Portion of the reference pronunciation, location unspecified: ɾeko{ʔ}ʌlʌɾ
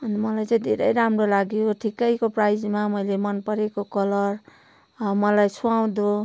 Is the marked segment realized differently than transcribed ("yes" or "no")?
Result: yes